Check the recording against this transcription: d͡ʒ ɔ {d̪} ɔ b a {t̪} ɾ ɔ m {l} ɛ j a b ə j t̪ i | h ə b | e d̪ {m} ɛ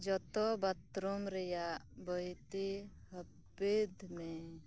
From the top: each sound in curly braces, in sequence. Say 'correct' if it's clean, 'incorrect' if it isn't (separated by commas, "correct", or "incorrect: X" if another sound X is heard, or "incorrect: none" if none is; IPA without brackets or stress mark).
incorrect: t̪, correct, incorrect: ɾ, correct